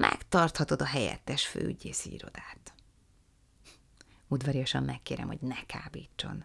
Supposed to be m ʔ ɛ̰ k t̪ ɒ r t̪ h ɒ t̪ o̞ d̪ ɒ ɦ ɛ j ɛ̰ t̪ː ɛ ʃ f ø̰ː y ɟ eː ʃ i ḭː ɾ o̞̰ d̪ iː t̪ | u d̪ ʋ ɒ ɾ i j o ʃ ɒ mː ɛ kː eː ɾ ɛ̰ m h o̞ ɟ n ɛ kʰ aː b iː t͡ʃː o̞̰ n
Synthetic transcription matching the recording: m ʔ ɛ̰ k t̪ ɒ r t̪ h ɒ t̪ o̞ d̪ ɒ ɦ ɛ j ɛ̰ t̪ː ɛ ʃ f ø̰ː y ɟ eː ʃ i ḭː ɾ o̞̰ d̪ aː t̪ | u d̪ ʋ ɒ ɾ i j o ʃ ɒ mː ɛ kː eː ɾ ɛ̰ m h o̞ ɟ n ɛ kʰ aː b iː t͡ʃː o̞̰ n